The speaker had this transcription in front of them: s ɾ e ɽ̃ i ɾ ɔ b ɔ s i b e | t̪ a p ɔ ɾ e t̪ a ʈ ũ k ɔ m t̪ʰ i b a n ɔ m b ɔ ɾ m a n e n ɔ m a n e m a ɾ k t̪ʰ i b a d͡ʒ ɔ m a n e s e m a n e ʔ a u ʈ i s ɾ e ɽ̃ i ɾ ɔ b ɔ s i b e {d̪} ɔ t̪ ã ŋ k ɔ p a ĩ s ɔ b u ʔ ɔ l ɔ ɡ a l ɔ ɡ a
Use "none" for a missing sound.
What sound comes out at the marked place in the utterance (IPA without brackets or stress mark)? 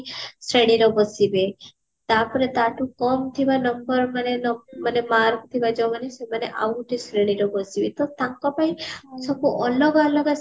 t̪